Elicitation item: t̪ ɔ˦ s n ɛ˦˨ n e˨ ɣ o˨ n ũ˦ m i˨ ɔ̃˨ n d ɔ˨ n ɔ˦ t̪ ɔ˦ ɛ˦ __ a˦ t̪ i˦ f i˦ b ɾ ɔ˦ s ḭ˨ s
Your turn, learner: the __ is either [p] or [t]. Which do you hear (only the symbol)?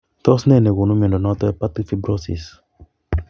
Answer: p